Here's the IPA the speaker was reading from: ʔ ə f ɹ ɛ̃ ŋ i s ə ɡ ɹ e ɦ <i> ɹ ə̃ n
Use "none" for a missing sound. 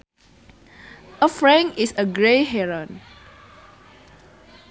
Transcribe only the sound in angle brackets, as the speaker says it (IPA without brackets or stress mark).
ɛ